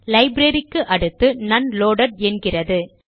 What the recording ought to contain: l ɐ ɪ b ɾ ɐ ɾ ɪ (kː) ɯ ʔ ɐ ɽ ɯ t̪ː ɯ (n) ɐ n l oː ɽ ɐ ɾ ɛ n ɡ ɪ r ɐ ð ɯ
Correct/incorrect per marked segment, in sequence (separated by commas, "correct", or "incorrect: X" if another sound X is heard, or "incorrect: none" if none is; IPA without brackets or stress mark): correct, correct